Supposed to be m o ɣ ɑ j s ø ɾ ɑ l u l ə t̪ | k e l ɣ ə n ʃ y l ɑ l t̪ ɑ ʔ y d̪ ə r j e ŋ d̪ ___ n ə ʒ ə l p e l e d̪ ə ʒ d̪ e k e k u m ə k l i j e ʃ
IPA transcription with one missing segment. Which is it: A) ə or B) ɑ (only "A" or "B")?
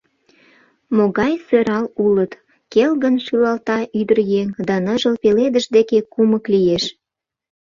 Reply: B